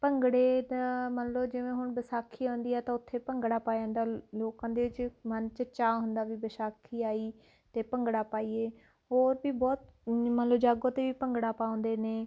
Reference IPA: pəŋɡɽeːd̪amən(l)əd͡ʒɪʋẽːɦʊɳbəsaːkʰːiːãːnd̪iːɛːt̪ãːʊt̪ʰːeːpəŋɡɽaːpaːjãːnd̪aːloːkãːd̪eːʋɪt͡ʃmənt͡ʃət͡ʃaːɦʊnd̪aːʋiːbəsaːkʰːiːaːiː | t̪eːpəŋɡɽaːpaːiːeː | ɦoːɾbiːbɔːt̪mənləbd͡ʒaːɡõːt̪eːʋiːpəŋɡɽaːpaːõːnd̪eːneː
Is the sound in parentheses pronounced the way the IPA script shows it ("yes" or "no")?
yes